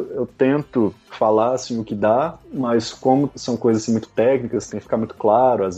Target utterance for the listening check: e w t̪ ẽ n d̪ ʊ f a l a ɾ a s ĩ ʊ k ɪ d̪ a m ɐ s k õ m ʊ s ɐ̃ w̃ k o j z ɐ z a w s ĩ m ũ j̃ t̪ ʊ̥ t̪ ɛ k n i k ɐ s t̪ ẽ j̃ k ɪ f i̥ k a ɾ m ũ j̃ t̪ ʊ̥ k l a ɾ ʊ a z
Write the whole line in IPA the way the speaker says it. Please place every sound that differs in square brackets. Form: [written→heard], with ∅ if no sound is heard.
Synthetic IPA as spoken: e w t̪ ẽ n [d̪→t̪] ʊ f a l a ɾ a s ĩ ʊ k ɪ d̪ a m ɐ s k õ m ʊ s ɐ̃ w̃ k o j z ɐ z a [w→∅] s ĩ m ũ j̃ t̪ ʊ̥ t̪ ɛ k n i k ɐ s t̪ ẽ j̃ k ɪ f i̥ k a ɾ m ũ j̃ t̪ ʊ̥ k l a ɾ ʊ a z